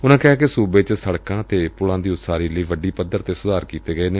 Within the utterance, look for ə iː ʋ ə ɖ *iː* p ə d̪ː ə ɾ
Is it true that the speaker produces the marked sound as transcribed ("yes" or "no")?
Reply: yes